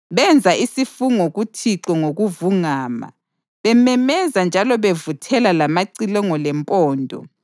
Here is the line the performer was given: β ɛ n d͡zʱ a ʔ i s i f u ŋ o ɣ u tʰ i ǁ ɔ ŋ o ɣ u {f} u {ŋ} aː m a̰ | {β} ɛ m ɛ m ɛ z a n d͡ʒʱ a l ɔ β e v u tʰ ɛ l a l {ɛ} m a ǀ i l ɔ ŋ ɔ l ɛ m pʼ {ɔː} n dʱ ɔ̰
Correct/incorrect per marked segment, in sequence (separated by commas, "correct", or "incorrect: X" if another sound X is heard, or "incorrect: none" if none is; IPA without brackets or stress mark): incorrect: v, correct, correct, incorrect: a, correct